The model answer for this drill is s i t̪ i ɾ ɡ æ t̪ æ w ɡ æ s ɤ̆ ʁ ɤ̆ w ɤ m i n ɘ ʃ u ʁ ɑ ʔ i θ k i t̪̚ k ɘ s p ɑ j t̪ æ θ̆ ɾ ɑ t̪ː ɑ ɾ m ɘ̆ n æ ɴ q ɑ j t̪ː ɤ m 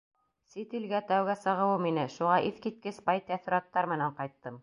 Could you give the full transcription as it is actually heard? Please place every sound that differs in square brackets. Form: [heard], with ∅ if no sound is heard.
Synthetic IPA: s i t̪ i [l] ɡ æ t̪ æ w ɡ æ s ɤ̆ ʁ ɤ̆ w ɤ m i n ɘ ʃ u ʁ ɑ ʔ i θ k i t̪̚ k ɘ s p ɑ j t̪ æ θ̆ ɾ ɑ t̪ː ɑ ɾ m ɘ̆ n æ ɴ q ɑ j t̪ː ɤ m